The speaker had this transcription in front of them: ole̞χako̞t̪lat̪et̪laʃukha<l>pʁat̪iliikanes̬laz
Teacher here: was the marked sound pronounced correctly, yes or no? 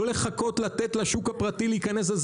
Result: no